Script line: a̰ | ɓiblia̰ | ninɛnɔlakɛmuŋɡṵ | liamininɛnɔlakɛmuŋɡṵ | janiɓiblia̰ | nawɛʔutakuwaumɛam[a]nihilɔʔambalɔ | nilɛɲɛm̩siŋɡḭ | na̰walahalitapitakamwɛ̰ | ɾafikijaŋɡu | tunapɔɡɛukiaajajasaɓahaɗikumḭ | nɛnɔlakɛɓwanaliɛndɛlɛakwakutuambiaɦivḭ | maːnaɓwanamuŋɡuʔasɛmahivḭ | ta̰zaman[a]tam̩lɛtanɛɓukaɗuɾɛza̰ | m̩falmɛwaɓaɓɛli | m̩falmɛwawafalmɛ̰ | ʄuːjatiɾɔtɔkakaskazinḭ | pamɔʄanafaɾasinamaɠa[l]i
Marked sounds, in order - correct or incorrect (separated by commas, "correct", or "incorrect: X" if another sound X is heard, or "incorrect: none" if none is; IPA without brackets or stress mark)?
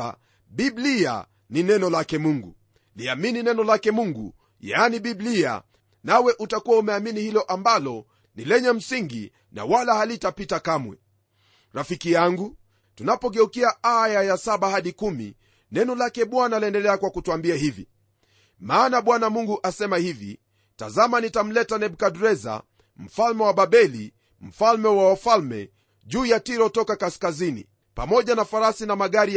incorrect: i, incorrect: i, incorrect: ɾ